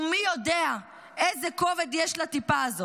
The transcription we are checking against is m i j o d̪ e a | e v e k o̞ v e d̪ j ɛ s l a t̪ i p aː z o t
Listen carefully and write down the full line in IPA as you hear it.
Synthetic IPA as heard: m i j o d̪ e a | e z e k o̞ v e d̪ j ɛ ʃ l a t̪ i p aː z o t